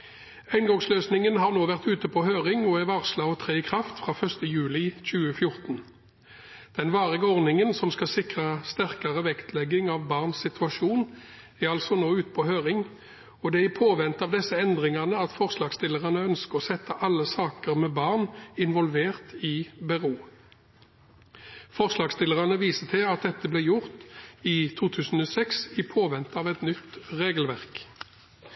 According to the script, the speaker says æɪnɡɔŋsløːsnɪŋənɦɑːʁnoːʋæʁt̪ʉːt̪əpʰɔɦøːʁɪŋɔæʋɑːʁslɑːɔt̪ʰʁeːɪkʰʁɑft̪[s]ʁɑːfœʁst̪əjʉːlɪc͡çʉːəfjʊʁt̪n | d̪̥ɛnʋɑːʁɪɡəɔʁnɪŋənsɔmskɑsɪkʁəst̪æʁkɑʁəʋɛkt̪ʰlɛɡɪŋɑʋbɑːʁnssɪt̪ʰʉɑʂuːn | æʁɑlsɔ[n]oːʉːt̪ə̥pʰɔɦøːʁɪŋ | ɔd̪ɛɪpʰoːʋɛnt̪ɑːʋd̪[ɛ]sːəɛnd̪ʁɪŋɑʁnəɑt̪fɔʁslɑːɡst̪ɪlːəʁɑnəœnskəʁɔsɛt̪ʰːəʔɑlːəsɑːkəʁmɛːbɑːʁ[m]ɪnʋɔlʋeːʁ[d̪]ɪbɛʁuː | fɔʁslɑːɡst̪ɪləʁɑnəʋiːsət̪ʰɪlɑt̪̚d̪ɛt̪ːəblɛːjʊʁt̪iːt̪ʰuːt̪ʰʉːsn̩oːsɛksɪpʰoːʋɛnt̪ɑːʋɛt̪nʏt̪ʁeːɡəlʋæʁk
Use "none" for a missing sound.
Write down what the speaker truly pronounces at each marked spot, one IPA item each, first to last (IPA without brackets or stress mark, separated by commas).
f, n, ɛ, n, t̪